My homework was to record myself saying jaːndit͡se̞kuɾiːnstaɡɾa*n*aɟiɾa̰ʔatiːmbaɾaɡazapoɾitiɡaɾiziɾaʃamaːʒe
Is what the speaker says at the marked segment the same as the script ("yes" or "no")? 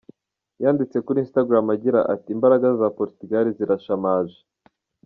no